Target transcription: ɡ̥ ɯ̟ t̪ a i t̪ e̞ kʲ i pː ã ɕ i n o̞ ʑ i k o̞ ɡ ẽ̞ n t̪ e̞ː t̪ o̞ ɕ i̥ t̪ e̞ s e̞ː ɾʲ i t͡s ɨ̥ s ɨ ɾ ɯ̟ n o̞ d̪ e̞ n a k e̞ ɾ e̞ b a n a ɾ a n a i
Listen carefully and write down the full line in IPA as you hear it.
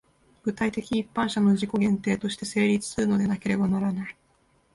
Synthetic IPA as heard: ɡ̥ ɯ̟ t̪ a i t̪ e̞ kʲ iː pː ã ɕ a n o̞ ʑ i k o̞ ɡ ẽ̞ n t̪ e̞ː t̪ o̞ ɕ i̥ t̪ e̞ s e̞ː ɾʲ i t͡s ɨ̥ s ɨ ɾ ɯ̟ n o̞ d̪ e̞ n a k e̞ ɾ e̞ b a n a ɾ a n a i